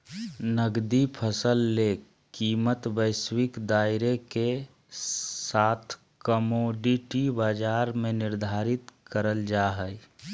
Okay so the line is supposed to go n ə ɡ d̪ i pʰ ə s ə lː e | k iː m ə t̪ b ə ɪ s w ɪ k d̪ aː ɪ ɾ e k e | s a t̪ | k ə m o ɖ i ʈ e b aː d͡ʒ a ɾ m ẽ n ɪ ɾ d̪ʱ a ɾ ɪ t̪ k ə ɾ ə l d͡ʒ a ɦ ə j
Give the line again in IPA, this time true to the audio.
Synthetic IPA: n ə ɡ d̪ i pʰ ə s ə lː e | k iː m ə t̪ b ə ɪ s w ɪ k d̪ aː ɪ ɾ e k e | s a t̪ʰ | k ə m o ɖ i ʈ i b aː d͡ʒ a ɾ m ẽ n ɪ ɾ d̪ʱ a ɾ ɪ t̪ k ə ɾ ə l d͡ʒ a ɦ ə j